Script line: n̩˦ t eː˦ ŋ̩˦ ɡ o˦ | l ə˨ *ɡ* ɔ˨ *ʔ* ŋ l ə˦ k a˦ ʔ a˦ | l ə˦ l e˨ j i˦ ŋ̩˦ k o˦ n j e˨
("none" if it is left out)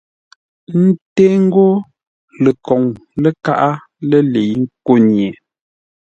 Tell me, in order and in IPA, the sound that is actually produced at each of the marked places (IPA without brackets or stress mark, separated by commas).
k, none